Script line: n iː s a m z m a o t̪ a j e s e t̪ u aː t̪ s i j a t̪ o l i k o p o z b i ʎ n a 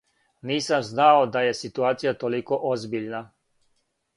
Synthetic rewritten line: n iː s a m z n a o d̪ a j e s i t̪ u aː t̪ s i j a t̪ o l i k o ʔ o z b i ʎ n a